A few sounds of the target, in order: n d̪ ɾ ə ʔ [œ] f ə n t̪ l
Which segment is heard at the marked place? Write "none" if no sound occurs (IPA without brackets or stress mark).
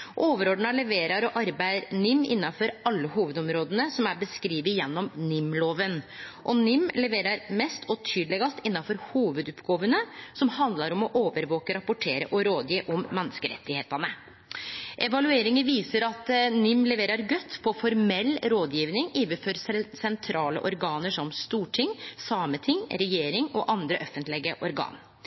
œ